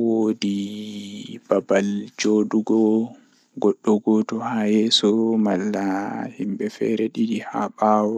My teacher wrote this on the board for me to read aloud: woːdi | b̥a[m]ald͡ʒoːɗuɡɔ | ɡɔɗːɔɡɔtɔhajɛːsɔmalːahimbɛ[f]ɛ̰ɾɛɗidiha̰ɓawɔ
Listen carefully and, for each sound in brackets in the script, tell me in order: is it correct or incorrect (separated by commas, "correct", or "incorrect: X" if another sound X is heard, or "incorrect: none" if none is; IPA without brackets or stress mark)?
incorrect: b, correct